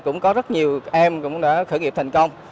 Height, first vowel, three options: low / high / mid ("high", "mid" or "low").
high